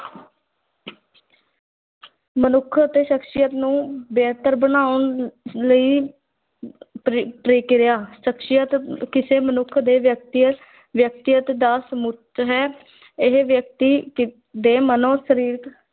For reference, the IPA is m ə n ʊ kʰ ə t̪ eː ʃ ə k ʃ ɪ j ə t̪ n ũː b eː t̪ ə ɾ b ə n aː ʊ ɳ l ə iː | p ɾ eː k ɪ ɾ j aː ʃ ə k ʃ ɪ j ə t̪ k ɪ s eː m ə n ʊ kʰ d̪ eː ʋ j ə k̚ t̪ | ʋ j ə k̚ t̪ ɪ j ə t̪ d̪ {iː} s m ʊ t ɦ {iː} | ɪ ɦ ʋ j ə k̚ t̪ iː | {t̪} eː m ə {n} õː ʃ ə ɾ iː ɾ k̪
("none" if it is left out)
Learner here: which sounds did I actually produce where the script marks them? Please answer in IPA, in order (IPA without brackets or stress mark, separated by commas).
aː, ɛː, d̪, n